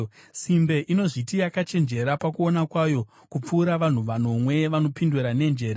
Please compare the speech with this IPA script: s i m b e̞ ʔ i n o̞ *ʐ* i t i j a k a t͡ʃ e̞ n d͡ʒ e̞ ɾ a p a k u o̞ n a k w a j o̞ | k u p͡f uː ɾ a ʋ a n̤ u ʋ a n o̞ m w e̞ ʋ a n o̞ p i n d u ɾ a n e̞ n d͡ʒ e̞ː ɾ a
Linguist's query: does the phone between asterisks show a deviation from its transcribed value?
no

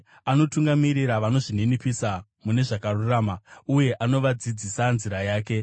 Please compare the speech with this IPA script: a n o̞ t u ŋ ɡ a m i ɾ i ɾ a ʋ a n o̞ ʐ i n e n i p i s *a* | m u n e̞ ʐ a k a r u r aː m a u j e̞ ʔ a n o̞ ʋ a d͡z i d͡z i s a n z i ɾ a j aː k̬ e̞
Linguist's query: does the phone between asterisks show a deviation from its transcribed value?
no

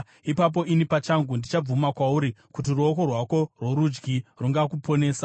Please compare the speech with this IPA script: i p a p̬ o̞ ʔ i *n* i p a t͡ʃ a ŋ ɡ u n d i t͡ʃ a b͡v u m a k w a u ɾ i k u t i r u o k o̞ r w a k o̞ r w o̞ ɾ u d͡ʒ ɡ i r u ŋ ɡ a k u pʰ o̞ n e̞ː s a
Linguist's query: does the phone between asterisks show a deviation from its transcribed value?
no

